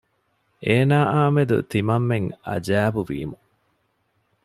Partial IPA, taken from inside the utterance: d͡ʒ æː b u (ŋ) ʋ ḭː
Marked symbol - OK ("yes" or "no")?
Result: no